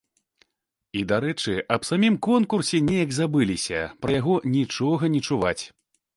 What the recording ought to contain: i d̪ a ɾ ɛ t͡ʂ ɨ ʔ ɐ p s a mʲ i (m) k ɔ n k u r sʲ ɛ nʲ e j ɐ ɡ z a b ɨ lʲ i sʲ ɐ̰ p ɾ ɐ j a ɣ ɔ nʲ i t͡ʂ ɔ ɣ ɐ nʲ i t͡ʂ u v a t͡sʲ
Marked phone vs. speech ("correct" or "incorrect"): correct